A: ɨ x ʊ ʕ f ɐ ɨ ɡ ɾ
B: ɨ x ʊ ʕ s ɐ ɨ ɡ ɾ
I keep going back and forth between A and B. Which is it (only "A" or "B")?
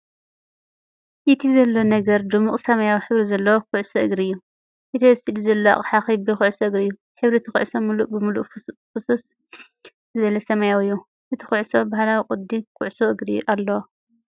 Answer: B